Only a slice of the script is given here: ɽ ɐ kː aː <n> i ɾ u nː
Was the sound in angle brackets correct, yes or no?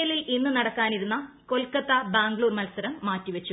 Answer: yes